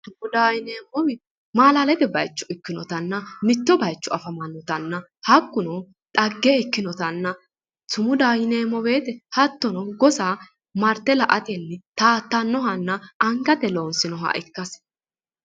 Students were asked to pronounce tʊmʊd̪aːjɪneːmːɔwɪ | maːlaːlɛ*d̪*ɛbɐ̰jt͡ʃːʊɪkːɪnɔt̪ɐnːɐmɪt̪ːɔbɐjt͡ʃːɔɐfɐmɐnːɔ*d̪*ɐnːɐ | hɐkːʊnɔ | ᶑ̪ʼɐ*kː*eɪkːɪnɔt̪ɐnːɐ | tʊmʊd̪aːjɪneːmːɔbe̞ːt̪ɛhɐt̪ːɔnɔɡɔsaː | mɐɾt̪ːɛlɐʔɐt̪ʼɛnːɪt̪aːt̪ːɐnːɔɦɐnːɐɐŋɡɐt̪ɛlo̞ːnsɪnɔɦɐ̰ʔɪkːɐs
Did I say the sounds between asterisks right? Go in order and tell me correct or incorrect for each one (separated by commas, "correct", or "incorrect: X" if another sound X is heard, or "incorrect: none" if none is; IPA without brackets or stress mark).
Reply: incorrect: t̪, incorrect: t̪, incorrect: ɡː